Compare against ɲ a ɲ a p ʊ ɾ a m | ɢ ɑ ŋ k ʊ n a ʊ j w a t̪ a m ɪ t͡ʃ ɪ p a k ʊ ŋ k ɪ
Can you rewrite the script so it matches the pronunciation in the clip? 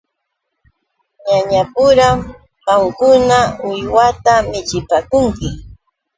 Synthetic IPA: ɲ a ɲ a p ʊ ɾ a m | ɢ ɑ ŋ k ʊ n a ʊ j w a t̪ a m ɪ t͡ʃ ɪ p a k ʊ ŋ k ɪ